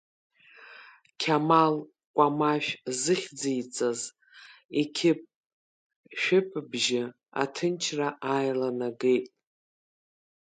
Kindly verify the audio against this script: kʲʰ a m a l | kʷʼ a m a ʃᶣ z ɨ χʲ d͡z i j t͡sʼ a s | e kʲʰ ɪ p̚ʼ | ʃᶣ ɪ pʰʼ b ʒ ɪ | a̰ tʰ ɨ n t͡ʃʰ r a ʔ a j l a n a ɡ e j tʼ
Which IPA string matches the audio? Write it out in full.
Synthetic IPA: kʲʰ a m a l | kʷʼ a m a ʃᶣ z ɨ χʲ d͡z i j t͡sʼ a z | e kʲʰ ɪ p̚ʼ | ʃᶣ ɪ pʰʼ b ʒ ɪ | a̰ tʰ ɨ n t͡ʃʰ r a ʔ a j l a n a ɡ e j tʼ